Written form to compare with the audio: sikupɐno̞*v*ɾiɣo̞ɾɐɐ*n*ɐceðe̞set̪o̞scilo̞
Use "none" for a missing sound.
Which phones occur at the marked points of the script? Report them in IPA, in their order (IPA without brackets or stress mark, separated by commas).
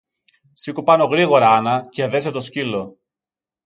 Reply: ɣ, n